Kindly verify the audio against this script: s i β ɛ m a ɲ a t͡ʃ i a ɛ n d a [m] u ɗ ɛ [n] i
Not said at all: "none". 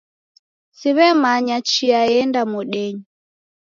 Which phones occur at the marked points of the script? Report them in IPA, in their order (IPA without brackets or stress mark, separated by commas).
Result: m, ɲ